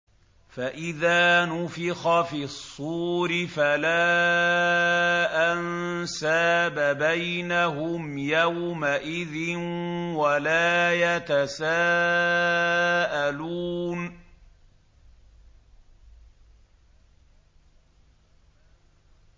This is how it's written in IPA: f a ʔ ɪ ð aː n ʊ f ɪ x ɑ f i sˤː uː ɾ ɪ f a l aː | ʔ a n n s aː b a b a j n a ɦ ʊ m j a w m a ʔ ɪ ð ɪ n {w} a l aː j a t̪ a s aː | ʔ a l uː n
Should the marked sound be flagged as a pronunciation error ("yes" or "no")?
no